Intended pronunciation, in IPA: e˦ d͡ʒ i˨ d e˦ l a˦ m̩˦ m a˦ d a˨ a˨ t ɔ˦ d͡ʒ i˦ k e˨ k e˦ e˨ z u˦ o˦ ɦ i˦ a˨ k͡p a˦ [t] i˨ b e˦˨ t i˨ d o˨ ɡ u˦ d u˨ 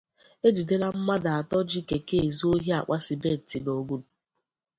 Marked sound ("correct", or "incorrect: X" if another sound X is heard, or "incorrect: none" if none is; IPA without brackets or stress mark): incorrect: s